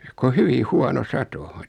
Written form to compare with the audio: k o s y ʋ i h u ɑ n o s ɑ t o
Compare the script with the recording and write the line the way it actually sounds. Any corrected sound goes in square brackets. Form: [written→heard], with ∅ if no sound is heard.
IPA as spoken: k o [s→h] y ʋ i h u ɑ n o s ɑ t o